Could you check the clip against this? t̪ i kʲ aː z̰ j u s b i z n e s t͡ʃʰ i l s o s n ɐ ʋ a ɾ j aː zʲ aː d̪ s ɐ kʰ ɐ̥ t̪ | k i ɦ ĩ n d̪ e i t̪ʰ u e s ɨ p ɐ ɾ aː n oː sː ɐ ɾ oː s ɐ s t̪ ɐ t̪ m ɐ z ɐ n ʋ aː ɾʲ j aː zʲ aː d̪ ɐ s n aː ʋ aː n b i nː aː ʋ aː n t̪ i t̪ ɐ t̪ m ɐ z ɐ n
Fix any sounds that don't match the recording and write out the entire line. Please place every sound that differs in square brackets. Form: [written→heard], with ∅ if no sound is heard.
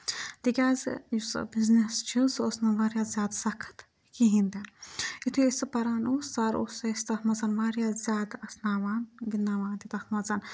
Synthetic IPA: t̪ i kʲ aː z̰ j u s b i z n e s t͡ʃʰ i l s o s n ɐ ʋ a ɾ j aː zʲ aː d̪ s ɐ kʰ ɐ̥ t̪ | k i ɦ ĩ n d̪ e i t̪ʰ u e s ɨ p ɐ ɾ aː n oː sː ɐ ɾ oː s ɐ s t̪ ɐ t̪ m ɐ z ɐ n ʋ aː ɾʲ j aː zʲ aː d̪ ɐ s n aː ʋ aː n [b→ɡ] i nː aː ʋ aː n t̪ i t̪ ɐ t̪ m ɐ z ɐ n